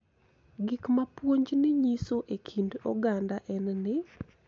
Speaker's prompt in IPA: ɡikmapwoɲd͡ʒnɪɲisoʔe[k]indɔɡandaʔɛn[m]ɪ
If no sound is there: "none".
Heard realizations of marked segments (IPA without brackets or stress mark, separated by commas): kʰ, n